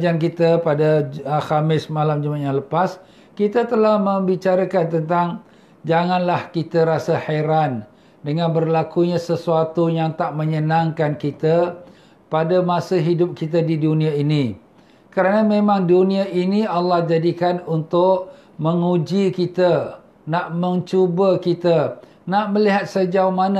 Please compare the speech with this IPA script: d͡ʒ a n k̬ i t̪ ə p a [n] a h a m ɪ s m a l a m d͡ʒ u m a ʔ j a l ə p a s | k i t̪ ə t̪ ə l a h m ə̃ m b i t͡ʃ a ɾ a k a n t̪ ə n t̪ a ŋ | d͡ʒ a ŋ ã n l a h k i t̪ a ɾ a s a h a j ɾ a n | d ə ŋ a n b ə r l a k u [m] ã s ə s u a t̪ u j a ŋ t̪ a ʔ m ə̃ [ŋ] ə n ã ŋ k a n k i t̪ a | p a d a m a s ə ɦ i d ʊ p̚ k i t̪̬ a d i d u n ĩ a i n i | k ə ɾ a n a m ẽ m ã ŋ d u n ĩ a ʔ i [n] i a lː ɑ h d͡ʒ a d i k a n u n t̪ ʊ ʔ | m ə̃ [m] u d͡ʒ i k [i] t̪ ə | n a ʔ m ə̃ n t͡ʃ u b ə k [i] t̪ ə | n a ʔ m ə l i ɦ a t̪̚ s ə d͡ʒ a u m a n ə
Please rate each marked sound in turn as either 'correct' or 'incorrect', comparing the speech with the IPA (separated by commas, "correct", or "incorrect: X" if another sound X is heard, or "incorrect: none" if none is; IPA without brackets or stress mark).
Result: incorrect: d, incorrect: ɲ, incorrect: ɲ, correct, incorrect: ŋ, correct, correct